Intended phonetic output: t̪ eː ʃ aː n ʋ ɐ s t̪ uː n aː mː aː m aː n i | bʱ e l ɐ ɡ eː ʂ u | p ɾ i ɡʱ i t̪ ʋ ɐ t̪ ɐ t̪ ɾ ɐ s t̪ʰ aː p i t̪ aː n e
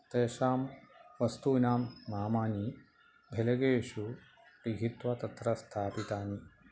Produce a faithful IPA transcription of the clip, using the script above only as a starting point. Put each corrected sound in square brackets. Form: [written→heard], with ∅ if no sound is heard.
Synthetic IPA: t̪ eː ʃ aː [n→m] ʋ ɐ s t̪ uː n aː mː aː m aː n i | bʱ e l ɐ ɡ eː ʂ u | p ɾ i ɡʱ i t̪ ʋ ɐ t̪ ɐ t̪ ɾ ɐ s t̪ʰ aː p i t̪ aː n [e→i]